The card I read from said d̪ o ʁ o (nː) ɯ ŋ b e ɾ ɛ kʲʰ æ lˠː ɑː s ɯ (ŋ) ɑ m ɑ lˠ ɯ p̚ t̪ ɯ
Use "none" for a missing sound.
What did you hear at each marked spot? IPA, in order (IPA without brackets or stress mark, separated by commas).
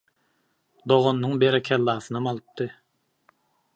nː, n